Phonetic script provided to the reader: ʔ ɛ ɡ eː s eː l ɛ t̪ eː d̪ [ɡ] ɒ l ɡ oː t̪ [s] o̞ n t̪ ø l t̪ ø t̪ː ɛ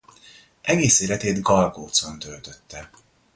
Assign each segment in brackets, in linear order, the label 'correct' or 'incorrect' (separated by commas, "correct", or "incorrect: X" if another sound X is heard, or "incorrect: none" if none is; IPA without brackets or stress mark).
correct, correct